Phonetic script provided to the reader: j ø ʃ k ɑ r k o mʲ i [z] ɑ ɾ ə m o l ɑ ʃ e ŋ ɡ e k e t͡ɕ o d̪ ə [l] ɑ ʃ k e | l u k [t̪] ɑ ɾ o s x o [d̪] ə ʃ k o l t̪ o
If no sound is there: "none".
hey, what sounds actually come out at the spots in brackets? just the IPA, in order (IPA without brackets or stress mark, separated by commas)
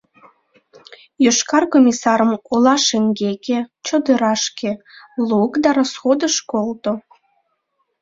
s, ɾ, d̪, d̪